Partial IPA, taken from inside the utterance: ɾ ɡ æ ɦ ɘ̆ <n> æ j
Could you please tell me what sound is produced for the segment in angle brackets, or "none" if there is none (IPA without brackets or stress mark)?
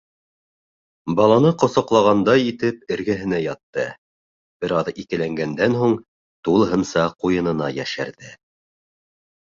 n